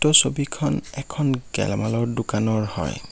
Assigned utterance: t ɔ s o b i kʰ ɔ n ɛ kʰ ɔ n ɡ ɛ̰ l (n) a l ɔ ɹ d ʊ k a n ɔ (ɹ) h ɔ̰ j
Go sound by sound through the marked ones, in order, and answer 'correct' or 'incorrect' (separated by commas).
incorrect, correct